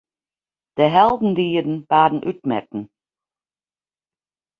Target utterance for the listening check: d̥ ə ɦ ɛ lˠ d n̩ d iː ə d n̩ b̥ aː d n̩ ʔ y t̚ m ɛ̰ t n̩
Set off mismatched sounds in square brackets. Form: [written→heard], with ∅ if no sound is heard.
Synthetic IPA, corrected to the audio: d̥ ə ɦ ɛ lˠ d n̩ d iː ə d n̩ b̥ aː d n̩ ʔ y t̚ m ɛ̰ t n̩

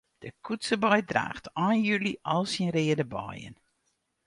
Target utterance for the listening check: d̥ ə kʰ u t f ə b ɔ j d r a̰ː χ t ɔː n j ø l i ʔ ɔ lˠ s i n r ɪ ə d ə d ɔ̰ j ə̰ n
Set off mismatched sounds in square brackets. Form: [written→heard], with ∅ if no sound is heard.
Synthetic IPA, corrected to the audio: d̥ ə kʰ u t [f→s] ə b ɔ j d r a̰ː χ t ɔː n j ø l i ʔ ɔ lˠ s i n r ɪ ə d ə [d→b] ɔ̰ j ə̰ n

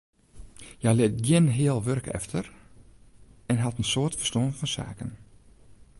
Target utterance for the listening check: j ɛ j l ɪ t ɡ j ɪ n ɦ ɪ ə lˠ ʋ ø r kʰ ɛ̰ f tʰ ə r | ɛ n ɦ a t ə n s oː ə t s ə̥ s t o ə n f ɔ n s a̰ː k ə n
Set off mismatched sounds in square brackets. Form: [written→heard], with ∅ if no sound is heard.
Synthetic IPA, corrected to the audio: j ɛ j l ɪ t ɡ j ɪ n ɦ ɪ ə lˠ ʋ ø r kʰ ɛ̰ f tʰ ə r | ɛ n ɦ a t ə n s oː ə t [s→f] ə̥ s t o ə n f ɔ n s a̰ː k ə n

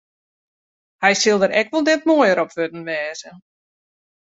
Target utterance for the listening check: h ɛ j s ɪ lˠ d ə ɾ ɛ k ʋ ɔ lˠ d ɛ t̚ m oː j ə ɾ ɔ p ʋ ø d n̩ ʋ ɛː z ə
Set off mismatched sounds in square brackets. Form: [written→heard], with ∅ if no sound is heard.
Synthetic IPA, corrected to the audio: h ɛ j s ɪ lˠ d ə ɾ ɛ k ʋ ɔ lˠ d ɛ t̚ m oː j ə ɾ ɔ p ʋ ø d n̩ ʋ ɛː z ə

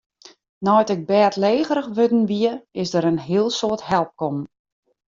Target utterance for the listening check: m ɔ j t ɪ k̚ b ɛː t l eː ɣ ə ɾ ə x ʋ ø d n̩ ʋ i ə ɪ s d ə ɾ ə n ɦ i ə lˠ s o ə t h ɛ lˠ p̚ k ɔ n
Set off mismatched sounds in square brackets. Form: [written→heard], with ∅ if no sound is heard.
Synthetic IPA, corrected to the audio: [m→n] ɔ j t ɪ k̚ b ɛː t l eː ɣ ə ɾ ə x ʋ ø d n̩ ʋ i ə ɪ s d ə ɾ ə n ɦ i ə lˠ s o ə t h ɛ lˠ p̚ k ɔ [n→m]

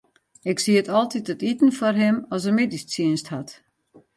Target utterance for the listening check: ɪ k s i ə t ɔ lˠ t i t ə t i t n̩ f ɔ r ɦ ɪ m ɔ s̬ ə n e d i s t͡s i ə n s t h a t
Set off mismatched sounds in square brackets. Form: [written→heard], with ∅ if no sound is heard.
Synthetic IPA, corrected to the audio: ɪ k s i ə t ɔ lˠ t i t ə t i t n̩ f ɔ r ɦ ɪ m ɔ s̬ ə [n→m] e d i s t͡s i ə n s t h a t

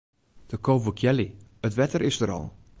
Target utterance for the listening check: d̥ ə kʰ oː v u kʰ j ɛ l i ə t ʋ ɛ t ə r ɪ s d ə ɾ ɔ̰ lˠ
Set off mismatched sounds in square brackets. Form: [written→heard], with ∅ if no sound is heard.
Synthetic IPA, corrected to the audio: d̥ ə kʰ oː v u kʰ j ɛ l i ə t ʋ ɛ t ə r ɪ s d ə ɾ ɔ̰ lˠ

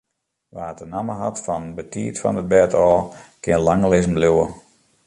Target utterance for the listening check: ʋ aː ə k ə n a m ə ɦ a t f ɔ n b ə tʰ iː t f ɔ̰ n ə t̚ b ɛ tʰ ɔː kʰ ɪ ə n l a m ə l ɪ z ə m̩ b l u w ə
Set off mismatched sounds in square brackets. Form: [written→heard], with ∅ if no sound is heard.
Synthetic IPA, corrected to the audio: ʋ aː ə [k→t] ə n a m ə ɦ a t f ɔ n b ə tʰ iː t f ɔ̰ n ə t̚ b ɛ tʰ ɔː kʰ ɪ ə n l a [m→ŋ] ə l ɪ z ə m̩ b l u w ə

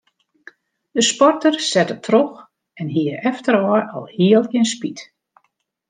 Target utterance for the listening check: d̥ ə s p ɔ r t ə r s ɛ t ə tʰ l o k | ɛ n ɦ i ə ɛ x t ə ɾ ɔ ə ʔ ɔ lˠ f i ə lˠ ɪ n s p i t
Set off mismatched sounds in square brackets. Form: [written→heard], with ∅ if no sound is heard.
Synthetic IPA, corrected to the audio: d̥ ə s p ɔ r t ə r s ɛ t ə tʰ [l→r] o [k→x] | ɛ n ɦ i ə ɛ [x→f] t ə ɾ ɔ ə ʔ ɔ lˠ [f→h] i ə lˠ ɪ n s p i t

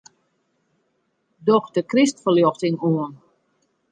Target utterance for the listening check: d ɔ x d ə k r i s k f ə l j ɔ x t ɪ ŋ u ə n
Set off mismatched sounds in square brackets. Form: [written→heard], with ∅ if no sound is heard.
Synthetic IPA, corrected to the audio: d ɔ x d ə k r i s [k→t] f ə l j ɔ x t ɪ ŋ u ə n

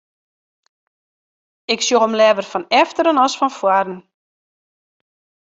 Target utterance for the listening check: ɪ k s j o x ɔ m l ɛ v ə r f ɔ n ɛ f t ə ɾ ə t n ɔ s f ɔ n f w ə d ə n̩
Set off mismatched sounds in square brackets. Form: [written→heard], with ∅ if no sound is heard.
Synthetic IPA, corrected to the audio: ɪ k s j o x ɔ m l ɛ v ə r f ɔ n ɛ f t ə ɾ ə [t→∅] n ɔ s f ɔ n f w [ə→a] d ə n̩

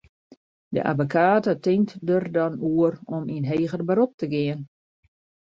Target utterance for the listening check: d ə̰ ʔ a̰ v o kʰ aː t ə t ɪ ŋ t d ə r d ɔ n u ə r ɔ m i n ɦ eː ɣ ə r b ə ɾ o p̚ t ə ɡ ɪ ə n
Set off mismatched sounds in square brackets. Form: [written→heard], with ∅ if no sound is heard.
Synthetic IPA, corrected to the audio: d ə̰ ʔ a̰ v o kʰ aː t ə t ɪ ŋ t d ə r d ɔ n u ə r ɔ m i n ɦ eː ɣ ə r b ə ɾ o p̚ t ə ɡ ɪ ə n

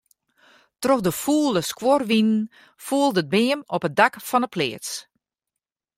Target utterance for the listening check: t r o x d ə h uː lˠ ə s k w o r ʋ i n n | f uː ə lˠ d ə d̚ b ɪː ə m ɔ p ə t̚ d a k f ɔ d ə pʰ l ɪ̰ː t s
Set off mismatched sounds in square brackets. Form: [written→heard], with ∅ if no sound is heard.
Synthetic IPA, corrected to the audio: t r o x d ə [h→f] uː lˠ ə s k w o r ʋ i n n | f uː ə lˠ d ə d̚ b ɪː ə m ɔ p ə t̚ d a k f ɔ [d→n] ə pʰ l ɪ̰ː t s

